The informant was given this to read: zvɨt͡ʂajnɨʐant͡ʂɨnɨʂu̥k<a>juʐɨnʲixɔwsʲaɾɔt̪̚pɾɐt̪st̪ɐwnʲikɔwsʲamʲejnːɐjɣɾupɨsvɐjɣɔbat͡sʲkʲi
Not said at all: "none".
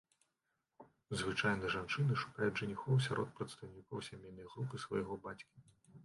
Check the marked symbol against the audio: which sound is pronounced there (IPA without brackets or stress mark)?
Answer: a